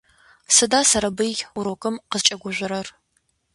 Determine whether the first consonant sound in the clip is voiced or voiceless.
voiceless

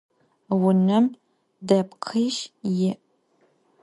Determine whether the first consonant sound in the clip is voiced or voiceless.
voiced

